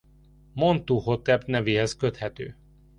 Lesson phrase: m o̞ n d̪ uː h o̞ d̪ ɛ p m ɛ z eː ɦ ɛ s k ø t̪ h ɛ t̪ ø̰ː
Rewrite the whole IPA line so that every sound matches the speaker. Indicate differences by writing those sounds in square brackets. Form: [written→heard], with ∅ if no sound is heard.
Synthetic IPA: m o̞ n [d̪→t̪] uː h o̞ [d̪→t̪] ɛ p [m→n] ɛ [z→v] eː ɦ ɛ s k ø t̪ h ɛ t̪ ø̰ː